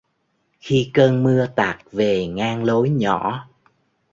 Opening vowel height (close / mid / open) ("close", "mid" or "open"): close